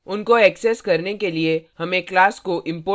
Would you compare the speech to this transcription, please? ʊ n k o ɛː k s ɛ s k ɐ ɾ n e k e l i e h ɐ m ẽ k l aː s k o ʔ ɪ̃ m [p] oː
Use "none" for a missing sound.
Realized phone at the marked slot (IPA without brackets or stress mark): p